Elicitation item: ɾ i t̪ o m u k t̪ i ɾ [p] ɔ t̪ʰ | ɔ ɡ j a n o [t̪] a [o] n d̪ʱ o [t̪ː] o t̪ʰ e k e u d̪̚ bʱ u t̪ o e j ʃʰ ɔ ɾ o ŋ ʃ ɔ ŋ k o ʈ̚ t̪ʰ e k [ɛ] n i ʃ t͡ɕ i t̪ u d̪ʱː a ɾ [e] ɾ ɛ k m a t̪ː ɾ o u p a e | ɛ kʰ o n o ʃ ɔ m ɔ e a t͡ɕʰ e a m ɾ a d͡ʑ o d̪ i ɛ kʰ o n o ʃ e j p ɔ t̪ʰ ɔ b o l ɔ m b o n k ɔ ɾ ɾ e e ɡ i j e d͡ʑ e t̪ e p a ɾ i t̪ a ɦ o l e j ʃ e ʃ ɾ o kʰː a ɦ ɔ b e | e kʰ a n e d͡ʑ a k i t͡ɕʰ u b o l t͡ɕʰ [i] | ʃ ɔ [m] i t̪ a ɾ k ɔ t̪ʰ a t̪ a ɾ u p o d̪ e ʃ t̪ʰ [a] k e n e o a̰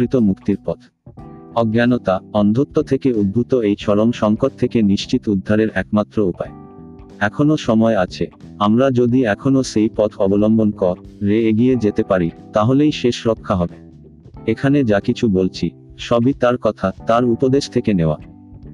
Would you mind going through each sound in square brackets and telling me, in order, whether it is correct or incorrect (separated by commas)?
correct, correct, incorrect, correct, incorrect, correct, correct, incorrect, incorrect